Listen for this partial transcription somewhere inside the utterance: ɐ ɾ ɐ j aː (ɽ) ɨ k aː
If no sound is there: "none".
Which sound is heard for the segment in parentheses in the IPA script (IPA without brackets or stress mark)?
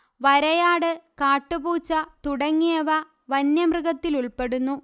ɽ